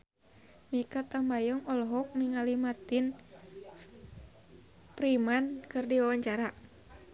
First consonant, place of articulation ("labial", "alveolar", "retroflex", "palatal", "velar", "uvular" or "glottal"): labial